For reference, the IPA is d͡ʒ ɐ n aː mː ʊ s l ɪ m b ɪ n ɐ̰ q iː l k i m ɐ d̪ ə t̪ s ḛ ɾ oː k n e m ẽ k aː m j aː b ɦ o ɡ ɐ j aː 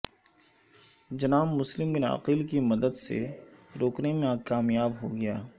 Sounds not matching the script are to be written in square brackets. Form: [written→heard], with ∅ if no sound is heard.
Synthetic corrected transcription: d͡ʒ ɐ n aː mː ʊ s l ɪ m b ɪ n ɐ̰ q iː l k i m ɐ d̪ ə [t̪→d̪] s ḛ ɾ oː k n e m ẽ k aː m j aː b ɦ o ɡ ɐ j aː